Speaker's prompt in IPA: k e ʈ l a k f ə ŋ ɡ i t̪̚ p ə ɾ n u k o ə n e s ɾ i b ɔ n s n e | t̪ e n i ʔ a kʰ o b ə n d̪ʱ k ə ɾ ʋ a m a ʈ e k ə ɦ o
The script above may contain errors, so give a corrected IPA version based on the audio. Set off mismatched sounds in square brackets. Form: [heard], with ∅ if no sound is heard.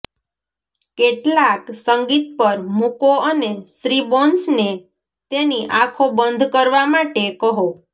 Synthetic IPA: k e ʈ l a k [s] ə ŋ ɡ i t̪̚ p ə ɾ [m] u k o ə n e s ɾ i b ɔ n s n e | t̪ e n i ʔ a kʰ o b ə n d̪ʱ k ə ɾ ʋ a m a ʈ e k ə ɦ o